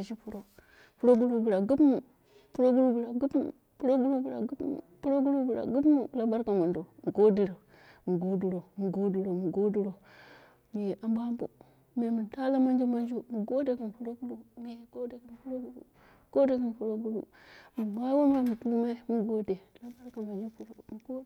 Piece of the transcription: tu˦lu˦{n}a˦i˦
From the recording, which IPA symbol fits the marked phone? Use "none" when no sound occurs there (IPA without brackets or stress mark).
m